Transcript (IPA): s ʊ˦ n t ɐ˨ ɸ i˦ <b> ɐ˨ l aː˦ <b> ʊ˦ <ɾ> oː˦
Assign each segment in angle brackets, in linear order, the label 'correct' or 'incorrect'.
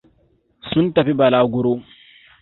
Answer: correct, incorrect, correct

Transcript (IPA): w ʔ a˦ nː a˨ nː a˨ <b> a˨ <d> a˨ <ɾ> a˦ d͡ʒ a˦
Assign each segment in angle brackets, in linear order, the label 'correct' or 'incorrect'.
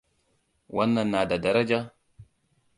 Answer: incorrect, correct, correct

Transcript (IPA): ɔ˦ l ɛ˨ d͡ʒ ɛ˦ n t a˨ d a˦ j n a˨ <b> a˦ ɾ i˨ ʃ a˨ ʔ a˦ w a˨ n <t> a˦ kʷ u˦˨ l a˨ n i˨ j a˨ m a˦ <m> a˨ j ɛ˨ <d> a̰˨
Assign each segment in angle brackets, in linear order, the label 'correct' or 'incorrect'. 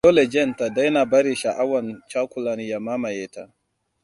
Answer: correct, incorrect, correct, incorrect

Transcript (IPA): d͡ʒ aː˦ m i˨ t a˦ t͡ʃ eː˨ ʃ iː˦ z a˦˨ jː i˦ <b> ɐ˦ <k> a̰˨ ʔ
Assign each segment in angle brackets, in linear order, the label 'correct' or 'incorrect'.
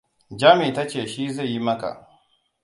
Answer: incorrect, correct

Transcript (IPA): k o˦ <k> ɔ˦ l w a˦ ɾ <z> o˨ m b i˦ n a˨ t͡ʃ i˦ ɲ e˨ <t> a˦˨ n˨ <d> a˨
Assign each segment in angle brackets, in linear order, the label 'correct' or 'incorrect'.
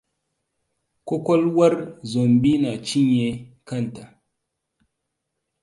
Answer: correct, correct, incorrect, incorrect

